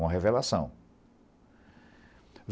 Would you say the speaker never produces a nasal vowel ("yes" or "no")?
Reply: no